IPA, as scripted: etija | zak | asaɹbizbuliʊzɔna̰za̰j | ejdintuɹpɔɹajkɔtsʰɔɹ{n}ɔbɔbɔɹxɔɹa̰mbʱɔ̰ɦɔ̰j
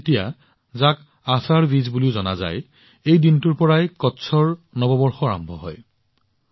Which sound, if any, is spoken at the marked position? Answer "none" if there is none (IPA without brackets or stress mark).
n